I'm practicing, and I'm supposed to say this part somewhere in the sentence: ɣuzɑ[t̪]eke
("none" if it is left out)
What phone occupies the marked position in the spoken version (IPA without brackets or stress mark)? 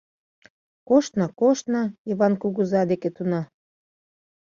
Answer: d̪